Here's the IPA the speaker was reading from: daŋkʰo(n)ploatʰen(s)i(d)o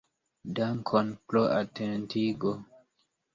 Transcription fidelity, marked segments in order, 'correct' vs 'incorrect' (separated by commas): correct, incorrect, incorrect